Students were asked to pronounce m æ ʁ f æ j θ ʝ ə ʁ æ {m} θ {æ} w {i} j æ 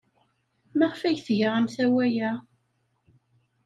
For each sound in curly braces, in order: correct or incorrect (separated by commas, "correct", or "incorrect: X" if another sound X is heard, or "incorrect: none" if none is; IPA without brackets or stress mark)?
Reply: correct, correct, incorrect: æ